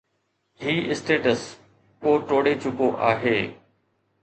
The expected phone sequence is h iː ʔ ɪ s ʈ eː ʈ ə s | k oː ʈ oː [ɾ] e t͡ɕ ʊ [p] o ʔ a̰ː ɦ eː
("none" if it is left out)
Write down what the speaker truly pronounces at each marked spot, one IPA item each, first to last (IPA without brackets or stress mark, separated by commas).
ɽ, k